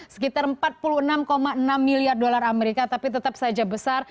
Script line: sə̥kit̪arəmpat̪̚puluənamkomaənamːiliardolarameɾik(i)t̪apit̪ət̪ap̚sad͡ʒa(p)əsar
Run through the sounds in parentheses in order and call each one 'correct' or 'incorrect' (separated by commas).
incorrect, incorrect